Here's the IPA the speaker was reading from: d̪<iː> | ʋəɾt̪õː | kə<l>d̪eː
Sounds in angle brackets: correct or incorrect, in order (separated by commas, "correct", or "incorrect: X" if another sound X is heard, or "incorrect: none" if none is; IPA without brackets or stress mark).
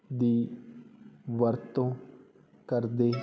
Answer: correct, incorrect: ɾ